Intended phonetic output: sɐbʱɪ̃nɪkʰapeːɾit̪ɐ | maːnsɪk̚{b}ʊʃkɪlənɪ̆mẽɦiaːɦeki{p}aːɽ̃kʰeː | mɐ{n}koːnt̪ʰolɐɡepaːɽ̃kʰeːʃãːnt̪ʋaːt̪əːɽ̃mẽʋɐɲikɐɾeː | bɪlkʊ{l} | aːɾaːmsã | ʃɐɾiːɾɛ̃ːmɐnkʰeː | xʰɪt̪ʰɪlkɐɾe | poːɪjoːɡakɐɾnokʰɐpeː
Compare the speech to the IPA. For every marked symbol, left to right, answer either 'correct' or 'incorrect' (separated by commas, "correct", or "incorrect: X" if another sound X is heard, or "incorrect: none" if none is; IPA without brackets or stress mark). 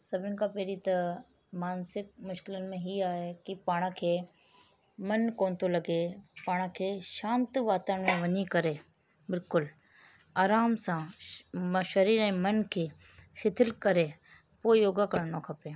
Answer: incorrect: m, correct, correct, correct